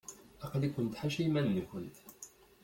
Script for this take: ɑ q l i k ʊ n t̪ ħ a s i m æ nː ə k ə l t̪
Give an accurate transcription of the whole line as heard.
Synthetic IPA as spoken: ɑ q l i k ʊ n t̪ ħ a ʃ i m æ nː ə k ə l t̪